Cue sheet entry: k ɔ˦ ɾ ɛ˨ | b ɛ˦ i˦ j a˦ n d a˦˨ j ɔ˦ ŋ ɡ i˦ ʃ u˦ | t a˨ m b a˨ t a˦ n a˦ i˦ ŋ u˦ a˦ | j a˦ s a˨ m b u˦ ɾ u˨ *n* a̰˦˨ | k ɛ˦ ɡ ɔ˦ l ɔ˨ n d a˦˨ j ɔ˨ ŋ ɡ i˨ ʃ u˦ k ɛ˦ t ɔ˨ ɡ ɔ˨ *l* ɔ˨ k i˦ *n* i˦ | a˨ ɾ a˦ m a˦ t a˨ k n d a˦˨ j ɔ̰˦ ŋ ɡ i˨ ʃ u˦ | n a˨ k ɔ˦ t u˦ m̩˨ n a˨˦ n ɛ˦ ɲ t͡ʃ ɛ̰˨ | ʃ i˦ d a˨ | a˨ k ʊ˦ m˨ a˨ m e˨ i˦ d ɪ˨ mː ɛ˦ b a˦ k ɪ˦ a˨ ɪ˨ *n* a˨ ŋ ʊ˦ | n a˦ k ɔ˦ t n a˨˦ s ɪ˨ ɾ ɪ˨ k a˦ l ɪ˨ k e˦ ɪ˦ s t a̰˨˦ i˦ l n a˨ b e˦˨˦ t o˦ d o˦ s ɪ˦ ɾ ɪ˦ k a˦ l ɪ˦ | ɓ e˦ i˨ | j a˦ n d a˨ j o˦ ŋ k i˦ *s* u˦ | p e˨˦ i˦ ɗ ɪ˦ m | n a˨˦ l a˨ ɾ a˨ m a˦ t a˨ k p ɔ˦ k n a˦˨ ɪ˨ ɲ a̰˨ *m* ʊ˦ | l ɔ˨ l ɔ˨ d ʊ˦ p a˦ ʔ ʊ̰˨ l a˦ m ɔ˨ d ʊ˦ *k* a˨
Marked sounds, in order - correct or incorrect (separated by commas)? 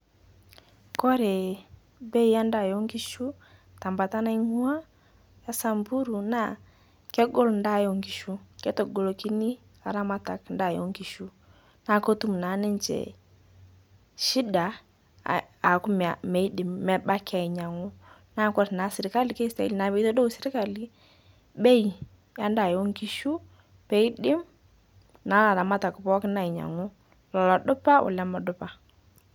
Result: correct, correct, correct, incorrect, incorrect, incorrect, incorrect